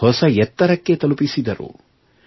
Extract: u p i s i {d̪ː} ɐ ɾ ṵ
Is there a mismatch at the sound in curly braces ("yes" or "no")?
yes